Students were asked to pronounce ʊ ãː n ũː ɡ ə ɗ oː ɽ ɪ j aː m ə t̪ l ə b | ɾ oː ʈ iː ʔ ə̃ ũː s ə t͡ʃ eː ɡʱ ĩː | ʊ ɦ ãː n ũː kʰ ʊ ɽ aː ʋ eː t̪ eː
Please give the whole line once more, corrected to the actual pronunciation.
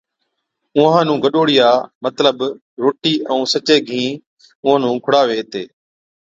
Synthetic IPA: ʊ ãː n ũː ɡ ə ɗ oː ɽ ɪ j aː m ə t̪ l ə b | ɾ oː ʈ iː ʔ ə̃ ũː s ə t͡ʃ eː ɡʱ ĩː | ʊ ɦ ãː n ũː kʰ ʊ ɽ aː ʋ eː t̪ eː